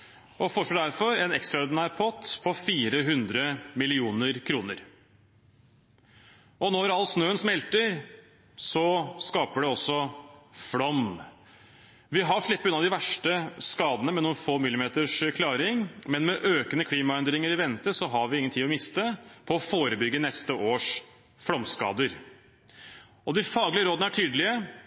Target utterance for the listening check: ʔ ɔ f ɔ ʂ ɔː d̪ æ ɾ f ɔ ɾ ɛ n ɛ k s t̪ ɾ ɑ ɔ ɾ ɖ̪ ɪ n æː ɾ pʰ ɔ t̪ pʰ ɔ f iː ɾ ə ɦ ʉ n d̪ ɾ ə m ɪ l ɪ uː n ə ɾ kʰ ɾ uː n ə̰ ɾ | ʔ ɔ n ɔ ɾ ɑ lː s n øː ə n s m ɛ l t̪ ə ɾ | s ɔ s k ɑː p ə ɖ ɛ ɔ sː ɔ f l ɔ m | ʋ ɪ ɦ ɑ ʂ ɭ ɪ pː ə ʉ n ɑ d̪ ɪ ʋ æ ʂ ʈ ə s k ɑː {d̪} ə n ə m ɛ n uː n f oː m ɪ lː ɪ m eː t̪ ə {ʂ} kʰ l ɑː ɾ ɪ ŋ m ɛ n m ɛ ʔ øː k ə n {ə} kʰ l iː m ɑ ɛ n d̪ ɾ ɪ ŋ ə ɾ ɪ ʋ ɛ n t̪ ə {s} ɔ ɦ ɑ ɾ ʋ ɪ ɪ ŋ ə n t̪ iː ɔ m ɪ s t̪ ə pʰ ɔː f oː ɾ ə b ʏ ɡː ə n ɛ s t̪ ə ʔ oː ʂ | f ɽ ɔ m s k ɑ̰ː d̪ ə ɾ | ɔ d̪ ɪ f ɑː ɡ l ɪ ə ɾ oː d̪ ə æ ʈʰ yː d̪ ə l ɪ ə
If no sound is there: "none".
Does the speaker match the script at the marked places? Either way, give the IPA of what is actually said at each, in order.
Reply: d̪, ʂ, ə, s

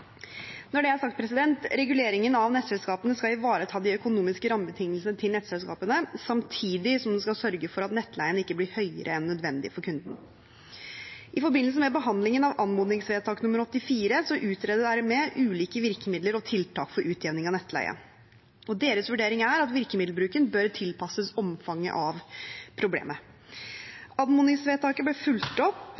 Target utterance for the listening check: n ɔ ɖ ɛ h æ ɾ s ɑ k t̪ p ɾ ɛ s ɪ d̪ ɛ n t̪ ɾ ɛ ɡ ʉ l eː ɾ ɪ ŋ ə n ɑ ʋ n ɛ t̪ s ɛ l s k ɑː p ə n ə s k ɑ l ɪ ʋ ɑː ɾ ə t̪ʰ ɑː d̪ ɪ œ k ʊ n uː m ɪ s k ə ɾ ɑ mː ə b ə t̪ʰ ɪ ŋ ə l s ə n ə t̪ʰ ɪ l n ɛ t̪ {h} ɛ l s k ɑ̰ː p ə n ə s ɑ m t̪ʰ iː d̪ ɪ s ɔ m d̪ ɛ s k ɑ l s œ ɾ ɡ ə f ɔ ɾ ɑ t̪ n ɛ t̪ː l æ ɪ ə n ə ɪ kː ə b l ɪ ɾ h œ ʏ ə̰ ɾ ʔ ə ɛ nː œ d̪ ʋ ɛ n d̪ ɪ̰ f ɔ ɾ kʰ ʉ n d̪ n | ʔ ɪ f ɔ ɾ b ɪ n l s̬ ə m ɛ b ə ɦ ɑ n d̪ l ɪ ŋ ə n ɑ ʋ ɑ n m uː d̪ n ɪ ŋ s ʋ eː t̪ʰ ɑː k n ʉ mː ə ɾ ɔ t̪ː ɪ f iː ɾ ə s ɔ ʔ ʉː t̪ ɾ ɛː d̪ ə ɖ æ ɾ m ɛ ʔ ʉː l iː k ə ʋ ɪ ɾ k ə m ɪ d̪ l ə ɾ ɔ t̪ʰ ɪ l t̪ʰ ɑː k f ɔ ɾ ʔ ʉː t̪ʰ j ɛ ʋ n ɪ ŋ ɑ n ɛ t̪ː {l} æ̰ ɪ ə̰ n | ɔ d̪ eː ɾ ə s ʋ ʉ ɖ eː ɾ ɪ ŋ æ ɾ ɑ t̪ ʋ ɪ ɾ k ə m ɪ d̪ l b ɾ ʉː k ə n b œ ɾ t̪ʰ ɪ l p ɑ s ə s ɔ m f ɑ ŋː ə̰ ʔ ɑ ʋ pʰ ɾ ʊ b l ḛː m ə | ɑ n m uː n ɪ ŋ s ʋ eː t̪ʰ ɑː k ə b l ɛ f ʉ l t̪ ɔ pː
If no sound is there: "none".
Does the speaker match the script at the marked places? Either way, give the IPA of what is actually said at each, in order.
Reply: s, l

